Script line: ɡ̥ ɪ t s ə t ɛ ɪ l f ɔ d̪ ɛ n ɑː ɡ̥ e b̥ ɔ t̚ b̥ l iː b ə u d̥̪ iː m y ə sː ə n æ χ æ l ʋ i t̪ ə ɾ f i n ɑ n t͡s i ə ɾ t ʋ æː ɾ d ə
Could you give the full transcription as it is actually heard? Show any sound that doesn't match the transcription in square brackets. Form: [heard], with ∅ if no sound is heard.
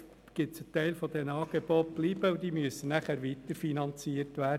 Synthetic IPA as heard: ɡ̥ ɪ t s ə t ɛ ɪ l f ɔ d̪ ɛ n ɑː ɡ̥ e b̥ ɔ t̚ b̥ l iː b ə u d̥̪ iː m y ə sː ə n æ χ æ [ɾ] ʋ i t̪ ə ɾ f i n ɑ n t͡s i ə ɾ t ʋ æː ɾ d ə